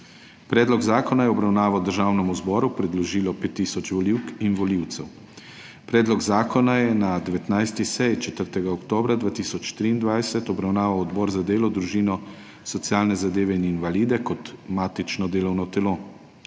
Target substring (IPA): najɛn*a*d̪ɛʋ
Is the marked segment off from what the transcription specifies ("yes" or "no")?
no